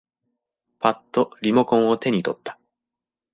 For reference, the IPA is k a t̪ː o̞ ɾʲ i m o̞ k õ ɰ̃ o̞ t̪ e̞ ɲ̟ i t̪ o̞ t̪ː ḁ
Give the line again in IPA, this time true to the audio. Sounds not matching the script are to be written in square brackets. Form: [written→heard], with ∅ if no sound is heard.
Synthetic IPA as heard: [k→p] a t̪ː o̞ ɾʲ i m o̞ k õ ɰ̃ o̞ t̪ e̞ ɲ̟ i t̪ o̞ t̪ː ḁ